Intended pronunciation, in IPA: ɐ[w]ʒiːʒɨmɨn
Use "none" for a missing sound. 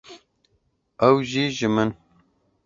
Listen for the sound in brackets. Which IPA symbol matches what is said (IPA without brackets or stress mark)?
w